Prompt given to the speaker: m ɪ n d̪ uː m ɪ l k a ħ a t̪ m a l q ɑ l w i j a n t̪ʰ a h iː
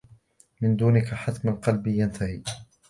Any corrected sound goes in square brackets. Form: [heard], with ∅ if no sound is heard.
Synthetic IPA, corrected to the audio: m ɪ n d̪ uː [n] ɪ [∅] k a ħ a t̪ m a l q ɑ l [b] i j a n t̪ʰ a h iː